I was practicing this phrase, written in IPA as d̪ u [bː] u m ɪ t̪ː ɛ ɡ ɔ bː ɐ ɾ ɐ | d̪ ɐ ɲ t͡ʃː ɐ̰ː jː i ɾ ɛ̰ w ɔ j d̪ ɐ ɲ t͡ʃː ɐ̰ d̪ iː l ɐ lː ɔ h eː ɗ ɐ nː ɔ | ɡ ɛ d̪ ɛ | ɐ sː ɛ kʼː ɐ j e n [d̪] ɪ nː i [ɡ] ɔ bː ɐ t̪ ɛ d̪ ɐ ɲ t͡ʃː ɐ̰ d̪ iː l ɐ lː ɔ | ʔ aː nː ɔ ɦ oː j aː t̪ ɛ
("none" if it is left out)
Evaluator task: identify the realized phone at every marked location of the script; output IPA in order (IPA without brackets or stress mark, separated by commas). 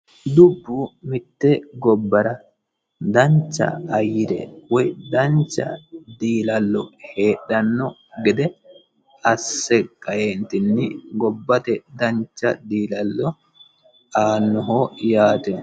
bː, t̪, ɡ